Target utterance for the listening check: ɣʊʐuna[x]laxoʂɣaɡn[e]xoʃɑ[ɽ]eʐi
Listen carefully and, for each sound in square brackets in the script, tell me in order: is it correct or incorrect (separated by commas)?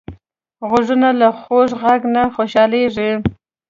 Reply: incorrect, incorrect, incorrect